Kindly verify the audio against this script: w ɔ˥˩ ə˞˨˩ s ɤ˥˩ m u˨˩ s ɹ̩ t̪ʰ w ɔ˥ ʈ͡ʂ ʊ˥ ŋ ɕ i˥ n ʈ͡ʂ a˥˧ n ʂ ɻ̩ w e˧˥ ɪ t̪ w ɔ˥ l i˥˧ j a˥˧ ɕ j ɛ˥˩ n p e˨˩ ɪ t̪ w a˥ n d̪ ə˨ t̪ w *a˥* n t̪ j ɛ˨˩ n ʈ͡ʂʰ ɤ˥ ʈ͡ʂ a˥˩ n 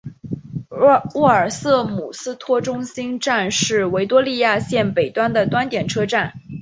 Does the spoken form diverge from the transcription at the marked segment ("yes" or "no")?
no